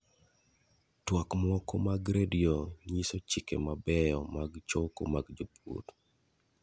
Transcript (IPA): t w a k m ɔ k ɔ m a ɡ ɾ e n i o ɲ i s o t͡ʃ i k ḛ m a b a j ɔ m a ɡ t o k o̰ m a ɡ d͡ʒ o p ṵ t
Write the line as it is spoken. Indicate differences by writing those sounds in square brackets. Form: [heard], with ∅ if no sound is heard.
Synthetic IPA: t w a k m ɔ k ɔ m a ɡ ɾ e [d] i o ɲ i s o t͡ʃ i k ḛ m a b [ɛ] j ɔ m a ɡ [t͡ʃ] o k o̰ m a ɡ d͡ʒ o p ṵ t